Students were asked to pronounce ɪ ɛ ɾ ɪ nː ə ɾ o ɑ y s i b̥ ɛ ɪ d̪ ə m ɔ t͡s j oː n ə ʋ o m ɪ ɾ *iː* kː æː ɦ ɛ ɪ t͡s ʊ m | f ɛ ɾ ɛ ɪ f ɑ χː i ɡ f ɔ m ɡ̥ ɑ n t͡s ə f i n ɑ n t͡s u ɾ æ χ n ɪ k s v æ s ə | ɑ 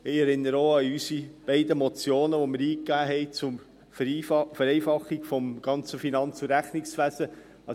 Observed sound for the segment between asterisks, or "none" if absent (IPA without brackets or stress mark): iː